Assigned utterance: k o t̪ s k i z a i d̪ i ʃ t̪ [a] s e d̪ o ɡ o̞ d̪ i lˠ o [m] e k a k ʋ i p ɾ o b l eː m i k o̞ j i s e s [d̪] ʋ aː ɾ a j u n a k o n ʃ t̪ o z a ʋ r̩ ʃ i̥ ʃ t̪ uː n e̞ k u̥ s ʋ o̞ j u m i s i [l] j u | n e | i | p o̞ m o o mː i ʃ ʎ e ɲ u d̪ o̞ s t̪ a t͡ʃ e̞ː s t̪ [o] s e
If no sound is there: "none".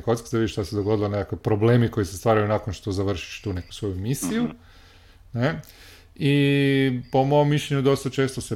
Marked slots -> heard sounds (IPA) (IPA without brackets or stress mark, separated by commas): a, n, t̪, none, o